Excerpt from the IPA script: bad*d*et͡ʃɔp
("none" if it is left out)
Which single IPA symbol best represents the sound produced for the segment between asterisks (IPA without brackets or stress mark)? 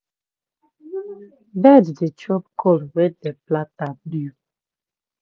d